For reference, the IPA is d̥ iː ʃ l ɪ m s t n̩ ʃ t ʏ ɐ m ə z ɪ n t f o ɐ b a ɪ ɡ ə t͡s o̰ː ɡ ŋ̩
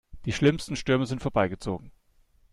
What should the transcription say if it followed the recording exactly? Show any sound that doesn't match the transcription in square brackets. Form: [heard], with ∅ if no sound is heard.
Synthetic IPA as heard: d̥ iː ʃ l ɪ m s t n̩ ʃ t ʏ ɐ m ə z ɪ n t f o ɐ b a ɪ ɡ ə t͡s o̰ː ɡ ŋ̩